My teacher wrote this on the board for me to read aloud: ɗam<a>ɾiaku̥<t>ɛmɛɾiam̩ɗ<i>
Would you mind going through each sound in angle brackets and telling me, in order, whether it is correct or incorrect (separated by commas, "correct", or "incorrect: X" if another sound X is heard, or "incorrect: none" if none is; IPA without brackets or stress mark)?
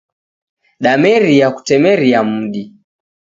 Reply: incorrect: ɛ, correct, correct